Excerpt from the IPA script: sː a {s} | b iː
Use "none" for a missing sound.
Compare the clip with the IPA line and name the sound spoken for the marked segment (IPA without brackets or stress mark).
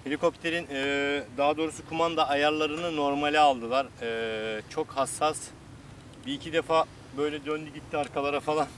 s